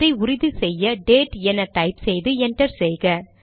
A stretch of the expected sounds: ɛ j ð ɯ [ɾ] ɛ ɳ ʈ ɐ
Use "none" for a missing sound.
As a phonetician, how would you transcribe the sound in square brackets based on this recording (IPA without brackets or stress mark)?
none